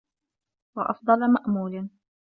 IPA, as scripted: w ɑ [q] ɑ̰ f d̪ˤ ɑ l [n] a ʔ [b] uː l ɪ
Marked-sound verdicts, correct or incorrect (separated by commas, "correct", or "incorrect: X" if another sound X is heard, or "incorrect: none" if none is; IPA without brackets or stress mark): incorrect: ʔ, incorrect: m, incorrect: m